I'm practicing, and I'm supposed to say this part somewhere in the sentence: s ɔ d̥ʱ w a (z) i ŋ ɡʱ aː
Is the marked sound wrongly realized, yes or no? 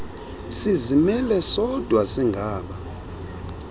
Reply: yes